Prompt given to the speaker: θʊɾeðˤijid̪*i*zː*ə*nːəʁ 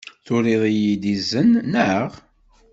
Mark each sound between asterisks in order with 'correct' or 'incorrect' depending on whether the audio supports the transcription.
correct, correct

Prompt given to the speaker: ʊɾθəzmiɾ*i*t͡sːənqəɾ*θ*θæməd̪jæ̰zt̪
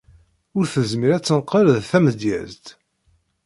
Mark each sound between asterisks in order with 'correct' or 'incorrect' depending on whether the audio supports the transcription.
incorrect: æ, incorrect: ð

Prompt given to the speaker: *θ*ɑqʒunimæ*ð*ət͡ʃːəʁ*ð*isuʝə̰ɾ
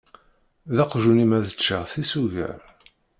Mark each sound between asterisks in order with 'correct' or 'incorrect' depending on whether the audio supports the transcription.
incorrect: ð, correct, incorrect: θ

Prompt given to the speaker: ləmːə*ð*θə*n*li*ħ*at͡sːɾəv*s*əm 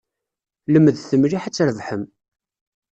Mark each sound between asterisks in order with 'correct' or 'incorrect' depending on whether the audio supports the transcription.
correct, incorrect: m, correct, incorrect: ħ

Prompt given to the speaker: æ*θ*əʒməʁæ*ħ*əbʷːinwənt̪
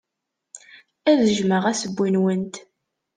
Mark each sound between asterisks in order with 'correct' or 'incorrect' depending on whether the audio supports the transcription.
incorrect: ð, incorrect: s

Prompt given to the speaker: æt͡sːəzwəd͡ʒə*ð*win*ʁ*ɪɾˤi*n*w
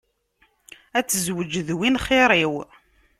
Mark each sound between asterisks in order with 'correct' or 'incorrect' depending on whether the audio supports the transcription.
correct, incorrect: χ, incorrect: none

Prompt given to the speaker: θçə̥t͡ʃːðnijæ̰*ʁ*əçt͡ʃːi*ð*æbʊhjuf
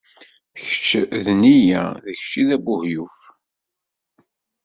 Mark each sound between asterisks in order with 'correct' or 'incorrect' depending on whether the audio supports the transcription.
incorrect: ð, correct

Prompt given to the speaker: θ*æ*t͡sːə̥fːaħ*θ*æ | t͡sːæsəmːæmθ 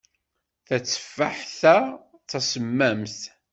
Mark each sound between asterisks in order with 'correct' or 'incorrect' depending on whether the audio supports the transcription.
correct, correct

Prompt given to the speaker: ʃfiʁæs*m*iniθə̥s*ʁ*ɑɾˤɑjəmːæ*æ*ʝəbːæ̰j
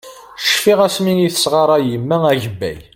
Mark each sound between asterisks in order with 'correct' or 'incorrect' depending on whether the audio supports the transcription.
correct, correct, correct

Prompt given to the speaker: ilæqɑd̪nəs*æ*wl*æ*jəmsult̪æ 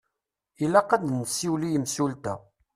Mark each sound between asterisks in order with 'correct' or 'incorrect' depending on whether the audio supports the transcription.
incorrect: i, incorrect: i

